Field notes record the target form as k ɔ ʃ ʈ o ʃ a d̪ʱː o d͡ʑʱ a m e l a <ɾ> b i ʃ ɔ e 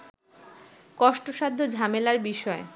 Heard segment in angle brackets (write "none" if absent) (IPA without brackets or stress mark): ɾ